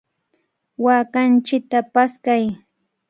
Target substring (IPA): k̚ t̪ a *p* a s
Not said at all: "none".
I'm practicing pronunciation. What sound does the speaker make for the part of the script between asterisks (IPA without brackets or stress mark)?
p